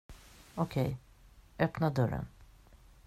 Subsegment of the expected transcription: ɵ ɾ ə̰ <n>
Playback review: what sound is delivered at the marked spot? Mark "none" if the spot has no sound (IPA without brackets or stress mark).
n